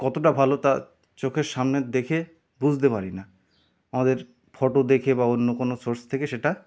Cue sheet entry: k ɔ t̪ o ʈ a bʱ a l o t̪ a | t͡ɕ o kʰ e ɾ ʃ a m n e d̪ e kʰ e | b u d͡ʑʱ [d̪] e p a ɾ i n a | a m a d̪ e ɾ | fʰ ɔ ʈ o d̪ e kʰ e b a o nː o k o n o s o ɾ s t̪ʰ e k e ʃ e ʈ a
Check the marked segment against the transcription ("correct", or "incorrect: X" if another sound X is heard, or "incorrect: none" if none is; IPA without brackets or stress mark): incorrect: t̪